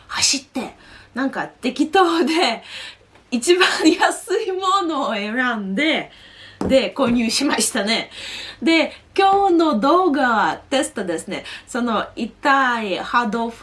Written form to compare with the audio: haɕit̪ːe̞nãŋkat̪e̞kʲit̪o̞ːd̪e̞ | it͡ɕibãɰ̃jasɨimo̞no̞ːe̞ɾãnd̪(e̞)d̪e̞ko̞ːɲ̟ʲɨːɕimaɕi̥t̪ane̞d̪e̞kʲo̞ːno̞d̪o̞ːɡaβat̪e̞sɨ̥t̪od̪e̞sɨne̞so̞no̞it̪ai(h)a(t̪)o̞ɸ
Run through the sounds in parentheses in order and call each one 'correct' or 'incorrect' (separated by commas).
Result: correct, correct, incorrect